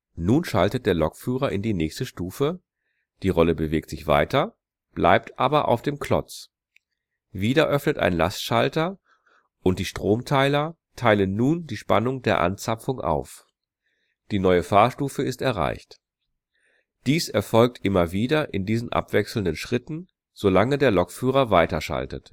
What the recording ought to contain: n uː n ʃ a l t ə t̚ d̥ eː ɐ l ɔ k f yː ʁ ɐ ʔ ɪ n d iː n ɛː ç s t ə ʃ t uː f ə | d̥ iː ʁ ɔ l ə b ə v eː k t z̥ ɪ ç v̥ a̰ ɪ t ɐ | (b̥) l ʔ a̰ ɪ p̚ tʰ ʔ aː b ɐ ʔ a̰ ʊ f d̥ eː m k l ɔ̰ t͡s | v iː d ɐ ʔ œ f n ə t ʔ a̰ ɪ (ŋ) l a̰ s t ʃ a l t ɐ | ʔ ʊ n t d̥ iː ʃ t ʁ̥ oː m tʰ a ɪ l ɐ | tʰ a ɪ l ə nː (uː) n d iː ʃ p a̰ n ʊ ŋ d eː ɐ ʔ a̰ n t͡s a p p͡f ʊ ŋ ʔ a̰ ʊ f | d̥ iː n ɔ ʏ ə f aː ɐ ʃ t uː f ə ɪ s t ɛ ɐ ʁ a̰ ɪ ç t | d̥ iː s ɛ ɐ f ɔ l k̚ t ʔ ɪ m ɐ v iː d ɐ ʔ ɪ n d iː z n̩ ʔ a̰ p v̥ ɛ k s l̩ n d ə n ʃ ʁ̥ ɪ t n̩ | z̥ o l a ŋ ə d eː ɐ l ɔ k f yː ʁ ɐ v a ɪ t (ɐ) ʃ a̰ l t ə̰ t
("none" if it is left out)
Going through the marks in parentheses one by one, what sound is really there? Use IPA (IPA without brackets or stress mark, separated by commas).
b̥, n, uː, ɐ